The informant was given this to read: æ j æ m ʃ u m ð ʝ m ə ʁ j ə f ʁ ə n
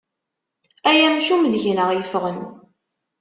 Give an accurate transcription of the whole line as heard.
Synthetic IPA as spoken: æ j æ m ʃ u m ð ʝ n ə ʁ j ə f ʁ ə n